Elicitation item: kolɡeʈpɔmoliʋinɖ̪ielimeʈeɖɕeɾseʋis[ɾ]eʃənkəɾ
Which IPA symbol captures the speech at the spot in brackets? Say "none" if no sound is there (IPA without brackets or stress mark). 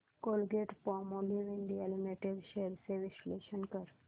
l